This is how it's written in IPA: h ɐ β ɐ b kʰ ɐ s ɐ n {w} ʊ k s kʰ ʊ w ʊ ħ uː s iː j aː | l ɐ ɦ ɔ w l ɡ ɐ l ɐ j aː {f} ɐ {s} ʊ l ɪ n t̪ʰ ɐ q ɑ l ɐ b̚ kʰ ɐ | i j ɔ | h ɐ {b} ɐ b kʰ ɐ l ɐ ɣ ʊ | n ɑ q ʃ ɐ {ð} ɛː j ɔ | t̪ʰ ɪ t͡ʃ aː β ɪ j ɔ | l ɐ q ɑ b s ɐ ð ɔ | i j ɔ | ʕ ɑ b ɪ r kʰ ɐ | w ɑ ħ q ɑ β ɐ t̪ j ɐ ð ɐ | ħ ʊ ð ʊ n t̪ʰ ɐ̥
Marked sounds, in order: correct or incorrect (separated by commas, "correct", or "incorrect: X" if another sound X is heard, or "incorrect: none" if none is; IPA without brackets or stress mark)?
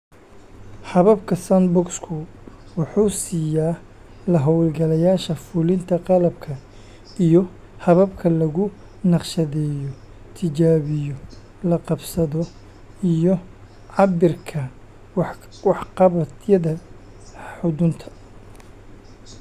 incorrect: b, incorrect: ʃ, incorrect: f, incorrect: β, correct